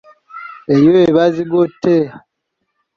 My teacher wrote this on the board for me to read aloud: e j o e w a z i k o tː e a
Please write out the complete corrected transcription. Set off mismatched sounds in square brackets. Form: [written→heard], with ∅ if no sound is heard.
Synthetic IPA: e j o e [w→β] a z i [k→ɡ] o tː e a